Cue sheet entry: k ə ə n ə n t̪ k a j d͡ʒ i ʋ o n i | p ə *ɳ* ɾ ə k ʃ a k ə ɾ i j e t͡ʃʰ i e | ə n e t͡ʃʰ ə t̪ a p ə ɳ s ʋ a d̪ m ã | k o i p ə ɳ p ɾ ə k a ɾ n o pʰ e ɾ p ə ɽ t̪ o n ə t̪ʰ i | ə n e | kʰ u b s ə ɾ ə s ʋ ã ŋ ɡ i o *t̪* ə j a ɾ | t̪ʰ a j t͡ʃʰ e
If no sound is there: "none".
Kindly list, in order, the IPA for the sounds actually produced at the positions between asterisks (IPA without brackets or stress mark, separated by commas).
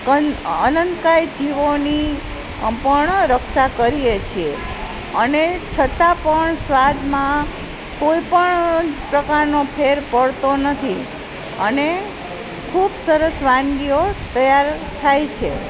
ɳ, t̪